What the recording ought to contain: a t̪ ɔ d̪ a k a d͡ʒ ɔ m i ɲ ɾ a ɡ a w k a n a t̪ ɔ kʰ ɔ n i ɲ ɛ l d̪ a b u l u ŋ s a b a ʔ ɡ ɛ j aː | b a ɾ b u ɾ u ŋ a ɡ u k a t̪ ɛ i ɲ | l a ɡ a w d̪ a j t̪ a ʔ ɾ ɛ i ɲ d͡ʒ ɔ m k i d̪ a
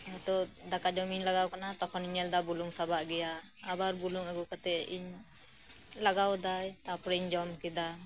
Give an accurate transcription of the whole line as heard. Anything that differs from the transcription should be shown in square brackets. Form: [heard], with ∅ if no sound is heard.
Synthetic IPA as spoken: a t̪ ɔ d̪ a k a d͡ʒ ɔ m i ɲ [l] a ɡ a w k a n a t̪ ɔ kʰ ɔ n i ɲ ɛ l d̪ a b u l u ŋ s a b a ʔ ɡ ɛ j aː | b a ɾ b u [l] u ŋ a ɡ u k a t̪ ɛ i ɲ | l a ɡ a w d̪ a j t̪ a [p] ɾ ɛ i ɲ d͡ʒ ɔ m k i d̪ a

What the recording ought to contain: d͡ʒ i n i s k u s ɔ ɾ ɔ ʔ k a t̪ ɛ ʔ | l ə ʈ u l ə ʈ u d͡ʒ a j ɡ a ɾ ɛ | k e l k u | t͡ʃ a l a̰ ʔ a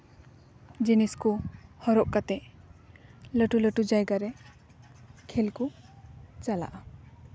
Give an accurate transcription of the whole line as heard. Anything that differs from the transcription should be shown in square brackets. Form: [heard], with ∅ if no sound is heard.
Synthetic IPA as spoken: d͡ʒ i n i s k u [h] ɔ ɾ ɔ ʔ k a t̪ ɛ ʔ | l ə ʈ u l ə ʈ u d͡ʒ a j ɡ a ɾ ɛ | [kʰ] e l k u | t͡ʃ a l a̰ ʔ a

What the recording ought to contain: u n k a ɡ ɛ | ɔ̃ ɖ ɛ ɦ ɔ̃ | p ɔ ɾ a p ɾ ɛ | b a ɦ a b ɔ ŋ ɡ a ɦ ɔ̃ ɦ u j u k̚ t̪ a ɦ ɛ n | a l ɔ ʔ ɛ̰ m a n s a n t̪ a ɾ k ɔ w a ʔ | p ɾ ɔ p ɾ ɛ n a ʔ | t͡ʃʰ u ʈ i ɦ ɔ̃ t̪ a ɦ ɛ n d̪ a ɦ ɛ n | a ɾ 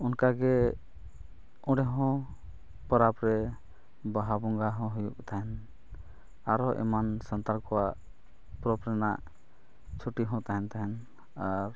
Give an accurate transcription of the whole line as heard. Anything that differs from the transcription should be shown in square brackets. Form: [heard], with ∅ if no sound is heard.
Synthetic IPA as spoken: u n k a ɡ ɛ | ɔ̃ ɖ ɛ ɦ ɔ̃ | p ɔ ɾ a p ɾ ɛ | b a ɦ a b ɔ ŋ ɡ a ɦ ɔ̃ ɦ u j u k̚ t̪ a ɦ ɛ n | a [ɾ] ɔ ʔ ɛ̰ m a n s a n t̪ a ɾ k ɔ w a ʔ | p ɾ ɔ p ɾ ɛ n a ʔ | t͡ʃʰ u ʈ i ɦ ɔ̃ t̪ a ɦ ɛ n [t̪] a ɦ ɛ n | a ɾ

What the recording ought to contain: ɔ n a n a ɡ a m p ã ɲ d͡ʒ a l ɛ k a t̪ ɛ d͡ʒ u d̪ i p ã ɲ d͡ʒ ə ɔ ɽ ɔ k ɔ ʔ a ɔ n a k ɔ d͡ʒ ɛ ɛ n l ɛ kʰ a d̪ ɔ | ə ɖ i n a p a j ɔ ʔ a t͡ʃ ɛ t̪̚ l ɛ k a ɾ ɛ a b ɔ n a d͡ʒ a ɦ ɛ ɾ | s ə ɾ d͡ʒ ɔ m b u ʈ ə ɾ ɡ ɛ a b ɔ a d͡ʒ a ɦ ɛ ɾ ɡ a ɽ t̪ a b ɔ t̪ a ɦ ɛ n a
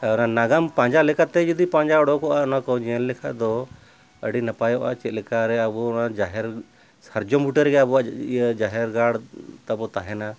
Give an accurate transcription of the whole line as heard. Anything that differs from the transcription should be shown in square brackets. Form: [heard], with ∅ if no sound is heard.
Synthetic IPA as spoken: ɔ n a n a ɡ a m p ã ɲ d͡ʒ a l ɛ k a t̪ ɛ d͡ʒ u d̪ i p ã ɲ d͡ʒ [a] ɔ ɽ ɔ k ɔ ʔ a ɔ n a k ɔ d͡ʒ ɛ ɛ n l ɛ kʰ a d̪ ɔ | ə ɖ i n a p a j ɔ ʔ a t͡ʃ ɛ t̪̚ l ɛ k a ɾ ɛ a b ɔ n a d͡ʒ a ɦ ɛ ɾ | s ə ɾ d͡ʒ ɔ m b u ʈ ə ɾ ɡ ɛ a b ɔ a d͡ʒ a ɦ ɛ ɾ ɡ a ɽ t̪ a b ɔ t̪ a ɦ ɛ n a

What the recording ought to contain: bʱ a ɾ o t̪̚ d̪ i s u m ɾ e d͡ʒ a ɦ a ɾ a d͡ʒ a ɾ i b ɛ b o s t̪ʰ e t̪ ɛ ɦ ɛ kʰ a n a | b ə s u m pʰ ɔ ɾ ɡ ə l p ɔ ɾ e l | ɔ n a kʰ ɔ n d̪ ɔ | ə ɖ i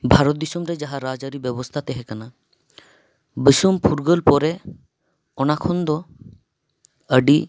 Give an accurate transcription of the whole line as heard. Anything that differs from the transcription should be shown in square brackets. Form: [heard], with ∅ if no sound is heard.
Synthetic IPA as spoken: bʱ a ɾ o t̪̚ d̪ i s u m ɾ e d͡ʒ a ɦ a ɾ a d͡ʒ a ɾ i b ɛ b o s t̪ʰ [a] t̪ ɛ ɦ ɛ [k] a n a | b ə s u m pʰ [u] ɾ ɡ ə l p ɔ ɾ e [∅] | ɔ n a kʰ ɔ n d̪ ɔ | ə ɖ i

